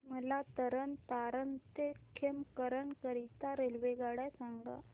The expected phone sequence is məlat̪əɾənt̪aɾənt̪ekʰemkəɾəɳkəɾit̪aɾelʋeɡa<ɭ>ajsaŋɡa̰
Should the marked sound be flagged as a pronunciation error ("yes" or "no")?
yes